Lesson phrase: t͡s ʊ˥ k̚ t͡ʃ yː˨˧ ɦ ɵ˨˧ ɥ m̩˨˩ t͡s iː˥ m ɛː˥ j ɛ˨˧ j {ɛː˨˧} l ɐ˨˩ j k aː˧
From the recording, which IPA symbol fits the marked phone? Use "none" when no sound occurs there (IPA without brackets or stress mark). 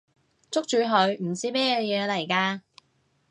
ɛː˨˧